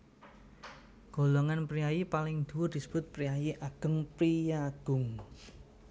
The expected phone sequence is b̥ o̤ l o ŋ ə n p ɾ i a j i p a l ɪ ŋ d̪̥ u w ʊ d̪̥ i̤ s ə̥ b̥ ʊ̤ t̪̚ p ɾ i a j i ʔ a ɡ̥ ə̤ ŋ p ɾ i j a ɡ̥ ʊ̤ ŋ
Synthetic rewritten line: ɡ̥ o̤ l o ŋ a n p ɾ i a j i p a l ɪ ŋ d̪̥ u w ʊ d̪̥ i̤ s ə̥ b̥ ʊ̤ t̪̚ p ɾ i a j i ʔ a ɡ̥ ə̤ ŋ p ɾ i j a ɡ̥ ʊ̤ ŋ